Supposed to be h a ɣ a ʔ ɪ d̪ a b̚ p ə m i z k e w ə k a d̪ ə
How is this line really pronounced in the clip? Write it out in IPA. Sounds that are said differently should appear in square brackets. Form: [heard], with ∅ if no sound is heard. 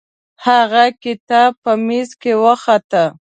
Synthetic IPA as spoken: h a ɣ a [k] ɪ [t̪] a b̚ p ə m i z k e w ə [x] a [t̪] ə